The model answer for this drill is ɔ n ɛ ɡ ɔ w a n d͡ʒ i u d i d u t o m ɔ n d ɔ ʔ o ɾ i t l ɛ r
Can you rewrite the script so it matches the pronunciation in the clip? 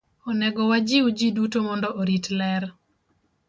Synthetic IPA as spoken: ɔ n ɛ ɡ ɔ w a d͡ʒ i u d͡ʒ i d u t o m ɔ n d ɔ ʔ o ɾ i t l ɛ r